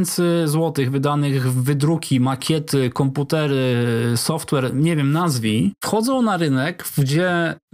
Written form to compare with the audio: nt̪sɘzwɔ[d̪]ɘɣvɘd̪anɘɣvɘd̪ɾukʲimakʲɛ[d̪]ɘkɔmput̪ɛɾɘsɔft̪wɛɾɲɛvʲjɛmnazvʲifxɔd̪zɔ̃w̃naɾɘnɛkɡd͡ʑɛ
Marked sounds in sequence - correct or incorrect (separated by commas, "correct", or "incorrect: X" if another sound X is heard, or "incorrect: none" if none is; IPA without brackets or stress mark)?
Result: incorrect: t̪, incorrect: t̪